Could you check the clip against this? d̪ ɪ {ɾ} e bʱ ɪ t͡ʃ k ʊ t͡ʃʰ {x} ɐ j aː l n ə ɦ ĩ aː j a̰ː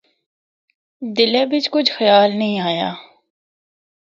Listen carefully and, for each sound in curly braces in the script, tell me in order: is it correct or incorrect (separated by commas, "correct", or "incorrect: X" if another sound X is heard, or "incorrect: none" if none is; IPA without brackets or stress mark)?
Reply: incorrect: l, correct